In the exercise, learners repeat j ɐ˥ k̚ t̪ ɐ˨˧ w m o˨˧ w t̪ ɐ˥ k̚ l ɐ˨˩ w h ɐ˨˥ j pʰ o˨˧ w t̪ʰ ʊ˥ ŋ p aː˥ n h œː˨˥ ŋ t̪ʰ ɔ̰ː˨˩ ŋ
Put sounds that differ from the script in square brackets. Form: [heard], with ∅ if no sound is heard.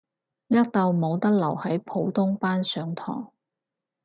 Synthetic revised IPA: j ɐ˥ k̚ t̪ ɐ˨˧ w m o˨˧ w t̪ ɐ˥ k̚ l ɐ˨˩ w h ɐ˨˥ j pʰ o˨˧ w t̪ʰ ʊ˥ ŋ p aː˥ n [s] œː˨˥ ŋ t̪ʰ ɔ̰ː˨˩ ŋ